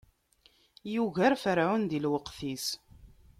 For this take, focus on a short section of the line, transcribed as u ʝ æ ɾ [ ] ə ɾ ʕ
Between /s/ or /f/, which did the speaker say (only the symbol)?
f